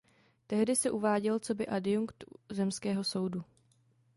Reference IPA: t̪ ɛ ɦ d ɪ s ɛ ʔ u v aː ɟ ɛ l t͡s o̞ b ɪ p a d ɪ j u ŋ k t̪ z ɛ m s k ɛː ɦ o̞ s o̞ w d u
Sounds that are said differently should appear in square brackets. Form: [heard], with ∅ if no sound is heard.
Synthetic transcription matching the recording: t̪ ɛ ɦ d ɪ s ɛ ʔ u v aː ɟ ɛ l t͡s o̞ b ɪ [ʔ] a d ɪ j u ŋ k t̪ z ɛ m s k ɛː ɦ o̞ s o̞ w d u